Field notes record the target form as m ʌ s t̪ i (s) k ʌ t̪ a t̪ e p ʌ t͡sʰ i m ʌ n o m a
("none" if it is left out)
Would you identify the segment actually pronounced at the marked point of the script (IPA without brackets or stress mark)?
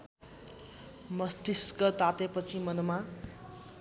s